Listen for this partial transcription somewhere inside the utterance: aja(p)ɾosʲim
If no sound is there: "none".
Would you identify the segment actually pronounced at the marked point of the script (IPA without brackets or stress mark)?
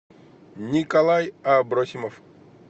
b